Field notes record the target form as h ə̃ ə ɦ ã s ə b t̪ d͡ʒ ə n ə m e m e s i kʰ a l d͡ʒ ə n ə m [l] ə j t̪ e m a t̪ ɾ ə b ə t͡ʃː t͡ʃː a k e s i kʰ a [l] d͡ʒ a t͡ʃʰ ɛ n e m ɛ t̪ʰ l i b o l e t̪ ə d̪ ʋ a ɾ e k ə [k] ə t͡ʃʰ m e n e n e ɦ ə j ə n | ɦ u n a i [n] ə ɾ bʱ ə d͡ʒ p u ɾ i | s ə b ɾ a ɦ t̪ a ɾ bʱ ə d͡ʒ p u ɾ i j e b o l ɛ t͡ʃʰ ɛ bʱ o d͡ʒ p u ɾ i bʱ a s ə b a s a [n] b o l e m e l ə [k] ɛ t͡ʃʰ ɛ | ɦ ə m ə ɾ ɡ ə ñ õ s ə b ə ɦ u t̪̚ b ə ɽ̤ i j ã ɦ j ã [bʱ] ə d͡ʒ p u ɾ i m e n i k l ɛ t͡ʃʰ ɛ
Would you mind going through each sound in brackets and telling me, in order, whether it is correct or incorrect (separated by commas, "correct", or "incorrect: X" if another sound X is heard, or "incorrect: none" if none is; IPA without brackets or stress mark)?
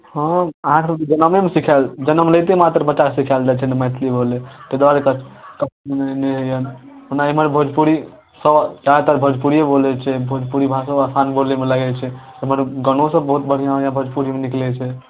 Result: correct, correct, correct, incorrect: m, correct, incorrect: ɡ, correct